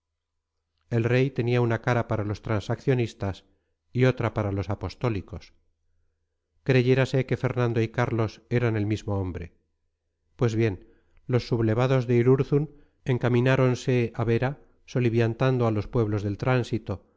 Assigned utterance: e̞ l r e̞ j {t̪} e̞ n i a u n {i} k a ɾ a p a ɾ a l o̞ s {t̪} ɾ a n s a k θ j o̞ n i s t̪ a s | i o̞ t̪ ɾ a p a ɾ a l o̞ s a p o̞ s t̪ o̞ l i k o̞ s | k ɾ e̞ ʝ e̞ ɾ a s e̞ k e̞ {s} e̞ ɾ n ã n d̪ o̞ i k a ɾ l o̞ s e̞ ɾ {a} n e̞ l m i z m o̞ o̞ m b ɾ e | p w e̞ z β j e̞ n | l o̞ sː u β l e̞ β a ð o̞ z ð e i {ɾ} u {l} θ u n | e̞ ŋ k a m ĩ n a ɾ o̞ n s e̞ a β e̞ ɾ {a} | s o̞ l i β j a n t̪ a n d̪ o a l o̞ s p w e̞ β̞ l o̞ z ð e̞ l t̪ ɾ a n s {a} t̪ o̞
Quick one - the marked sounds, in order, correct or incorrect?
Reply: correct, incorrect, correct, incorrect, correct, correct, incorrect, correct, incorrect

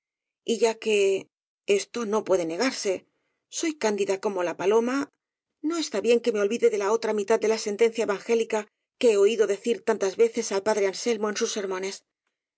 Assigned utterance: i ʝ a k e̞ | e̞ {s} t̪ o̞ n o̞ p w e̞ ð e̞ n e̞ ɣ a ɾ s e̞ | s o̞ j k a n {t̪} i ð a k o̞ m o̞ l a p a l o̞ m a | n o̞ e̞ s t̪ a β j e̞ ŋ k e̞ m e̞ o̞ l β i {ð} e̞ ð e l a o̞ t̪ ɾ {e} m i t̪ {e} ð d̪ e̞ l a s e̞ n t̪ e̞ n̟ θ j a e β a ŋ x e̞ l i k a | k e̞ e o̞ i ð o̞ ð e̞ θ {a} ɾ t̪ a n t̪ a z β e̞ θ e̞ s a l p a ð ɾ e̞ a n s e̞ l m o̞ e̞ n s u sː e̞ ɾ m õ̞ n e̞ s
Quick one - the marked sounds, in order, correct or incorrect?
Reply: correct, incorrect, correct, incorrect, incorrect, incorrect

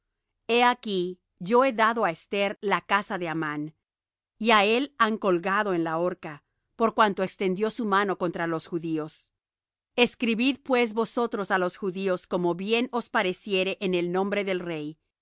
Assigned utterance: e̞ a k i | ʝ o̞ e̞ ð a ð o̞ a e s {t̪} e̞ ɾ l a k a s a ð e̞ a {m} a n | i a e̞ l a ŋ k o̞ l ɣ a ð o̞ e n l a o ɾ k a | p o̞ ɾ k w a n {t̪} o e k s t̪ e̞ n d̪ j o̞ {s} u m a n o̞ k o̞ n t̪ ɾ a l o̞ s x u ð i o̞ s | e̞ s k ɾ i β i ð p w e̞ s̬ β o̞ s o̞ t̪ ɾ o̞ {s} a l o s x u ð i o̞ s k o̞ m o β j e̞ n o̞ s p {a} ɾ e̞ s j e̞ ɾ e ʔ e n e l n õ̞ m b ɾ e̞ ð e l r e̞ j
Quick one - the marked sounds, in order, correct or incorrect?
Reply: correct, correct, correct, correct, correct, correct

